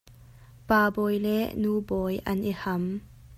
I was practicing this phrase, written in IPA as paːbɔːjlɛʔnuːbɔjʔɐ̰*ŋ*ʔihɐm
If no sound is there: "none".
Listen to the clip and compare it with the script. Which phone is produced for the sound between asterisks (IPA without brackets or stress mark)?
n